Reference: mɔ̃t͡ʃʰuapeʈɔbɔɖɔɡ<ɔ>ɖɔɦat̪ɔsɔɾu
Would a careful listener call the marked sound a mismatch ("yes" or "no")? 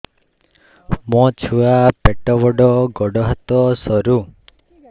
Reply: no